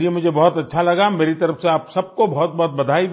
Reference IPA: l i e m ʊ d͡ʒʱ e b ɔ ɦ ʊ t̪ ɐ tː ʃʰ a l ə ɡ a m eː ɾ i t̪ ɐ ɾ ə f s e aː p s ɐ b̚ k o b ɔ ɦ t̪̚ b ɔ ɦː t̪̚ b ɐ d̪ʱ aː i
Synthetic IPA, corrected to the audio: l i e m ʊ d͡ʒʱ e b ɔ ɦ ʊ t̪ ɐ tː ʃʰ a l ɐ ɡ a m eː ɾ i t̪ ɐ ɾ ə f s e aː p s ɐ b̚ k o b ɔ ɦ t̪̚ b ɔ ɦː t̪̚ b ɐ d̪ʱ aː i